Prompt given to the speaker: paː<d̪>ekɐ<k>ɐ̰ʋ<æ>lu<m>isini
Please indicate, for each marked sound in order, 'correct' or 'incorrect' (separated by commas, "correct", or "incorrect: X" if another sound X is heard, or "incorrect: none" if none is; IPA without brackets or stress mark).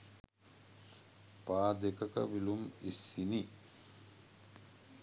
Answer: correct, correct, incorrect: i, correct